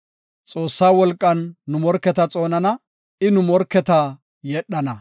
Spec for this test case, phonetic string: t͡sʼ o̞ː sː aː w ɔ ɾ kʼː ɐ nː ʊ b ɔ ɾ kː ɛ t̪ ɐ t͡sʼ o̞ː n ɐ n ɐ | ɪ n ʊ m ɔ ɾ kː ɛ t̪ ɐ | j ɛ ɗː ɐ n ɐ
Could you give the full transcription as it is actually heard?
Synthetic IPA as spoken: t͡sʼ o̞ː sː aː w ɔ l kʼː ɐ nː ʊ m ɔ ɾ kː ɛ t̪ ɐ t͡sʼ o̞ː n ɐ n ɐ | ɪ n ʊ m ɔ ɾ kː ɛ t̪ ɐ | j ɛ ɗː ɐ n ɐ